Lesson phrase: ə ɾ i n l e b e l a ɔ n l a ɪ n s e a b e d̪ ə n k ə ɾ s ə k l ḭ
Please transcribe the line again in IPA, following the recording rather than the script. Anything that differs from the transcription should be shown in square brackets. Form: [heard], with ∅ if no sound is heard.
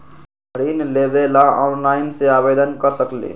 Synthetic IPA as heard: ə ɾ i n l e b e l a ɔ n l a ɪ n s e a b e d̪ ə n k ə ɾ s ə k l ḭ